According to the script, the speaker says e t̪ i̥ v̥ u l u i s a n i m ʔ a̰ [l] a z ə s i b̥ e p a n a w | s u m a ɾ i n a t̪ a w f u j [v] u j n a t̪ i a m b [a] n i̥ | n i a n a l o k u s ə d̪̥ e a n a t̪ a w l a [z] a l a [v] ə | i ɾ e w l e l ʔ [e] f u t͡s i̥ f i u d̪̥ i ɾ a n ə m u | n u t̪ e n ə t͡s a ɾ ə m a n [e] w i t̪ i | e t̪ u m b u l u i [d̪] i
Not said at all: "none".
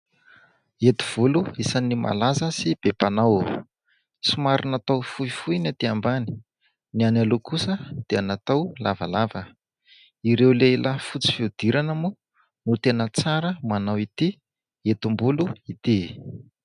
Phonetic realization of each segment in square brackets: l, f, a, v, v, a, a, t̪

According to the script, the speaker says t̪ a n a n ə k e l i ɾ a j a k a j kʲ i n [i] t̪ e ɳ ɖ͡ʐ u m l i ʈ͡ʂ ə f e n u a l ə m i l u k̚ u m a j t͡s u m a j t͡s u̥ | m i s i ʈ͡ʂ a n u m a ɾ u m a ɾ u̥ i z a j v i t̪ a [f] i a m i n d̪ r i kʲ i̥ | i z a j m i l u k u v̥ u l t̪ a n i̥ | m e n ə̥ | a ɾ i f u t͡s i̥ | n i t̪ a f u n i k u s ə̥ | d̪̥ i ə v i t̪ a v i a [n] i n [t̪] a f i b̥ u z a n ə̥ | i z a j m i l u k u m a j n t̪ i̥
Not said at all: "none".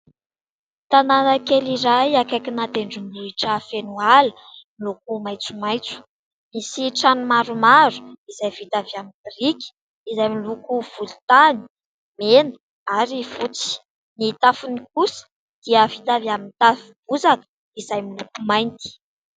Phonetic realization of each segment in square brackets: a, v, m, t̪

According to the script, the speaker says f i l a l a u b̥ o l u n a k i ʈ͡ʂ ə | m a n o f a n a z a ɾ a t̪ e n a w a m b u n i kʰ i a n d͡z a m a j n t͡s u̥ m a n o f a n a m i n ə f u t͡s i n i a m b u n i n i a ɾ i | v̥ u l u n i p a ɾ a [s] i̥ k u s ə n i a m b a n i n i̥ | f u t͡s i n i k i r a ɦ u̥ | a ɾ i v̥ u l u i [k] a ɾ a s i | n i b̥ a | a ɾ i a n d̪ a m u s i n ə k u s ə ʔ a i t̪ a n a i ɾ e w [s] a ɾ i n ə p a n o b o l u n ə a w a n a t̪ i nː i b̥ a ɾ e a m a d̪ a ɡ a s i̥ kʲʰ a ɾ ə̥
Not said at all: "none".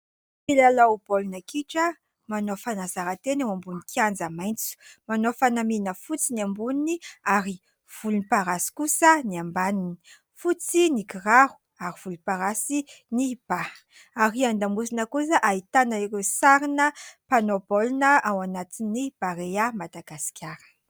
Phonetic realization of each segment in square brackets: s, p, s

